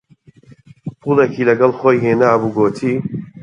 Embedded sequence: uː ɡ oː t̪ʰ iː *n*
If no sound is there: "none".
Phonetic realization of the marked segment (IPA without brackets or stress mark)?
none